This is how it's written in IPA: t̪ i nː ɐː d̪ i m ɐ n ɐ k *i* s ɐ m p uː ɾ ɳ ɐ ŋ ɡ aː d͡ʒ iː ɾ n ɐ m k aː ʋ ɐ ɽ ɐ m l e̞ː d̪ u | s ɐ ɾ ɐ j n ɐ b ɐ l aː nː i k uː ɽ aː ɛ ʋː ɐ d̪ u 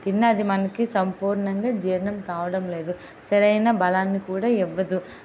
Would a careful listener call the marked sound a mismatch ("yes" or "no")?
no